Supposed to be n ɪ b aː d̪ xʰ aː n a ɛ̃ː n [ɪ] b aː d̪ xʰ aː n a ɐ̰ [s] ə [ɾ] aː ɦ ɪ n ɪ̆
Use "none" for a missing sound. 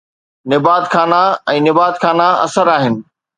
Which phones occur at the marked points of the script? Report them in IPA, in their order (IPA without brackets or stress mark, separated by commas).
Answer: ɪ, s, ɾ